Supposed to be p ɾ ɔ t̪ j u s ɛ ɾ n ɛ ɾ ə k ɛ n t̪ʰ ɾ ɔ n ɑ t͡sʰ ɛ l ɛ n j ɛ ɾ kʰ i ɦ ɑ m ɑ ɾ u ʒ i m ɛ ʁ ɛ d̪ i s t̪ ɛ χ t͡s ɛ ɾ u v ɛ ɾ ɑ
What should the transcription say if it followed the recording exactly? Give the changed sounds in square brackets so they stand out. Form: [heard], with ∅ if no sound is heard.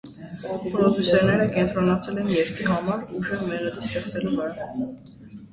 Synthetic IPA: p ɾ ɔ [d̪] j u s ɛ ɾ n ɛ ɾ ə k ɛ n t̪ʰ ɾ ɔ n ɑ t͡sʰ ɛ l ɛ n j ɛ ɾ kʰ i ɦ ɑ m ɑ ɾ u ʒ [ɛ] m ɛ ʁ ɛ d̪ i s t̪ ɛ χ t͡s ɛ [l] u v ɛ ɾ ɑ